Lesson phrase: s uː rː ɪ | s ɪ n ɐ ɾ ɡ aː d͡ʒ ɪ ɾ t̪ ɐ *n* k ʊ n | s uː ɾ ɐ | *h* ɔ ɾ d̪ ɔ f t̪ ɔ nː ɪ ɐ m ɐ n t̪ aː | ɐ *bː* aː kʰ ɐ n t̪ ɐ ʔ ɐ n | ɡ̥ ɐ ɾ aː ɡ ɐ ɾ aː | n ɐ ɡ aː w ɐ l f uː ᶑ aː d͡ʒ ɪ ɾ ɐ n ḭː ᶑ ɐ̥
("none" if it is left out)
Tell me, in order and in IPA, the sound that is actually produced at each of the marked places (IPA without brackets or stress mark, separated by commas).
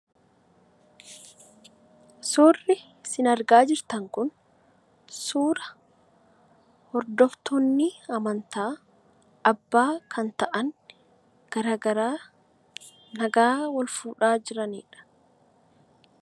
ŋ, h, bː